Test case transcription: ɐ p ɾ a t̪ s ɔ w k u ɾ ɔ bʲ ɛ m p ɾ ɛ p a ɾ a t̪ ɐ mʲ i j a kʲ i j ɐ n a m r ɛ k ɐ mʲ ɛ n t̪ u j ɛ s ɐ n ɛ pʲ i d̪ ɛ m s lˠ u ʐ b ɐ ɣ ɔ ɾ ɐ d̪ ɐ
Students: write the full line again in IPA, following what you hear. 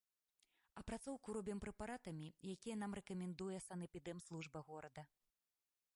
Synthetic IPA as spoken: ɐ p ɾ a t̪ s ɔ w k u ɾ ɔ bʲ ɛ m p ɾ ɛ p a ɾ a t̪ ɐ mʲ i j a kʲ i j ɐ n a m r ɛ k ɐ mʲ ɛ n d̪ u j ɛ s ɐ n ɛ pʲ i d̪ ɛ m s lˠ u ʐ b ɐ ɣ ɔ ɾ ɐ d̪ ɐ